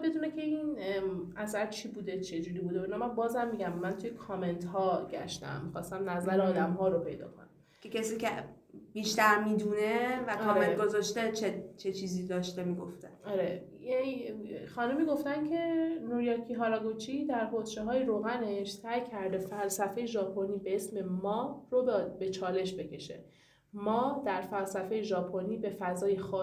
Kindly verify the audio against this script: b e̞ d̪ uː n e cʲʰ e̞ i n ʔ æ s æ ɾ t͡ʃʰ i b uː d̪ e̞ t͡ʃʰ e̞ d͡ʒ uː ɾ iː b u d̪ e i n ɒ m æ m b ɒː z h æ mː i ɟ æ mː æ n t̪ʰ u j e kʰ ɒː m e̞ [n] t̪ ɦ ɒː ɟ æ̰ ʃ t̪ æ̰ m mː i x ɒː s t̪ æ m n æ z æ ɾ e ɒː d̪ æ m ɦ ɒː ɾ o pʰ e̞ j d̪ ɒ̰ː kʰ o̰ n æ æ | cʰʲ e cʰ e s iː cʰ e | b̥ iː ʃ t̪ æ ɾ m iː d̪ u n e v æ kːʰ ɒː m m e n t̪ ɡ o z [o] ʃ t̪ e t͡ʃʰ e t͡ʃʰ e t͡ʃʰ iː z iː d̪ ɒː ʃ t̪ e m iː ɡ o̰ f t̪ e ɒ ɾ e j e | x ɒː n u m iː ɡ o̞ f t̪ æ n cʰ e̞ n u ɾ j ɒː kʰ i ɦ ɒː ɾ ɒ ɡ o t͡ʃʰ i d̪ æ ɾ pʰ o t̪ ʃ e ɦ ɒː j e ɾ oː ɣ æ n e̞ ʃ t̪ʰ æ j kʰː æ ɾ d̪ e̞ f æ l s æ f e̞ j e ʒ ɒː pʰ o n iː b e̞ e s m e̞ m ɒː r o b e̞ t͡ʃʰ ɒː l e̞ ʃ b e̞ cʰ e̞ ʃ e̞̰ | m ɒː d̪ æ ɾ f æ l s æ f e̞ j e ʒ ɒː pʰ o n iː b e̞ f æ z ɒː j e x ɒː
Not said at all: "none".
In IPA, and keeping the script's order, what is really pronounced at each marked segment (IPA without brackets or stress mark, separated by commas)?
n, ɒ